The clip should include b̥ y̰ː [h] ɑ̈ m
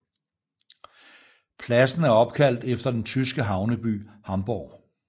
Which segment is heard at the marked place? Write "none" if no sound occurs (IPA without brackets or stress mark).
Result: h